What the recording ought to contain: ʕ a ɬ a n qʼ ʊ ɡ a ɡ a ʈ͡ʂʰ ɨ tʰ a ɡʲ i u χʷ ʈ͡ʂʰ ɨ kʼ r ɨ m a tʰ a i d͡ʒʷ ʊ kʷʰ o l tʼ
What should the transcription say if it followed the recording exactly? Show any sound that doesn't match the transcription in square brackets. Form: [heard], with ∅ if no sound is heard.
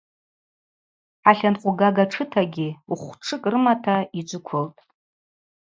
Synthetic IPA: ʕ a ɬ a n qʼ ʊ ɡ a ɡ a ʈ͡ʂʰ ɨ tʰ a ɡʲ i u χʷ ʈ͡ʂʰ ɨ kʼ r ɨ m a tʰ a i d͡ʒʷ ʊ kʷʰ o l tʼ